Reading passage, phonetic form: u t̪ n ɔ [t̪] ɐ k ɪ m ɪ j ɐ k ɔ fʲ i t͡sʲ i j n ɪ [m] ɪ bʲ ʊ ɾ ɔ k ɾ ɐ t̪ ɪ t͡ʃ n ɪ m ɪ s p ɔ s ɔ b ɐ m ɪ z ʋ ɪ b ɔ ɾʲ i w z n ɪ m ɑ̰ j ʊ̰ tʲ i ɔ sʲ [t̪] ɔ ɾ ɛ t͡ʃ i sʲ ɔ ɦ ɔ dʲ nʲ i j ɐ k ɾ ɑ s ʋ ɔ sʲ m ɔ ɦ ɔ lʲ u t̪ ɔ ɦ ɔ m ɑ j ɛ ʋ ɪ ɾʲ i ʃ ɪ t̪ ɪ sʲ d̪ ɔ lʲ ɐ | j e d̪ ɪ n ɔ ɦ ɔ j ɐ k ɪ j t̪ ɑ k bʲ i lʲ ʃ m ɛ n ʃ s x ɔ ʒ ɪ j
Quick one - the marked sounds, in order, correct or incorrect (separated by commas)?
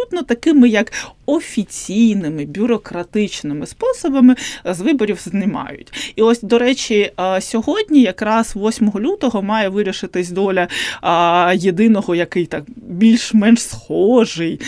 correct, correct, incorrect